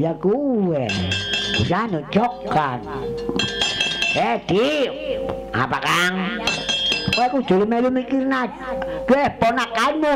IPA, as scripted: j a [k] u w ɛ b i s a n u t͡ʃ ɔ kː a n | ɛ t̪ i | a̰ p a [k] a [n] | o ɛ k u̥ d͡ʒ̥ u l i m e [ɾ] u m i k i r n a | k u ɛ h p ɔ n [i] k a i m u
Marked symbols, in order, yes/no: yes, yes, no, no, no

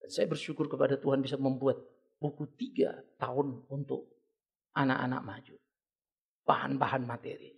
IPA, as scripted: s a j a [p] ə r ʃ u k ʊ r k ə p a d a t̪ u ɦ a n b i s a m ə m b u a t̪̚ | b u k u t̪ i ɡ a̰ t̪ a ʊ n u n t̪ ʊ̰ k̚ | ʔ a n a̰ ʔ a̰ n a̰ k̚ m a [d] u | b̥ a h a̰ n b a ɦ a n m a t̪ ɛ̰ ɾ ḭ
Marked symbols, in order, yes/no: no, no

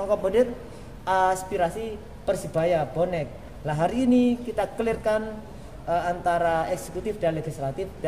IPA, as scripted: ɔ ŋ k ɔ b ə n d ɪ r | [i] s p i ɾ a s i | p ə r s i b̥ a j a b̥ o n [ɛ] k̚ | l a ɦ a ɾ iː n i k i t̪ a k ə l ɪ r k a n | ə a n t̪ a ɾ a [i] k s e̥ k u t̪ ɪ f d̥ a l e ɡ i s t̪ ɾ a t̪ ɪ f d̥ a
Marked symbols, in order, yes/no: no, yes, no

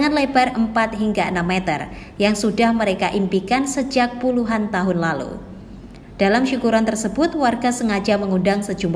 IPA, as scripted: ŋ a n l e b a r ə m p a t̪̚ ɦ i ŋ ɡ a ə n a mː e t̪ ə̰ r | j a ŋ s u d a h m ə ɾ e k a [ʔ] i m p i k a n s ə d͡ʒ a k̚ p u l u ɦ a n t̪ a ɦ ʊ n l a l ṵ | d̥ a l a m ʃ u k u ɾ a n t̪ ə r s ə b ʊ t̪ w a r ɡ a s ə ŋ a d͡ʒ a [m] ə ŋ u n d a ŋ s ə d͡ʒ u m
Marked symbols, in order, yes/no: yes, yes

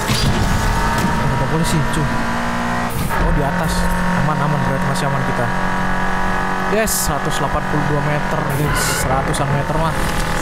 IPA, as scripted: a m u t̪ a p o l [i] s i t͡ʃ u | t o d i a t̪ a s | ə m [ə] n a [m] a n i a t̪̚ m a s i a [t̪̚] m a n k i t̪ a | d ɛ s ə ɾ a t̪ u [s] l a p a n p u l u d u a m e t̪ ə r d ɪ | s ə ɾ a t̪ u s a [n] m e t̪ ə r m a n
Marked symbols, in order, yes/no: yes, no, yes, no, yes, yes

